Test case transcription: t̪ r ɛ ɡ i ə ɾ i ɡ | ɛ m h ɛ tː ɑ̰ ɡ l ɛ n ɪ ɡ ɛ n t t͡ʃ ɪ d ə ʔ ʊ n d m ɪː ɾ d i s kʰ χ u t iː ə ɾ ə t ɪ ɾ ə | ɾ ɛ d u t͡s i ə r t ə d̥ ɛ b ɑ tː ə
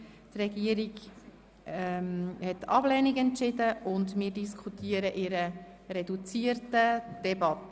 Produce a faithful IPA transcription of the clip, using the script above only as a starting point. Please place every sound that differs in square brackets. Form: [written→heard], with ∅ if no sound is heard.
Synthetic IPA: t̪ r ɛ ɡ i ə ɾ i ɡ | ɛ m h ɛ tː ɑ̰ [ɡ→b] l ɛ n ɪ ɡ ɛ n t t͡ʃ ɪ d ə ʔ ʊ n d m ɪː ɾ d i s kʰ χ u t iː ə ɾ ə [t→ʔ] ɪ ɾ ə | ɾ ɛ d u t͡s i ə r t ə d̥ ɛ b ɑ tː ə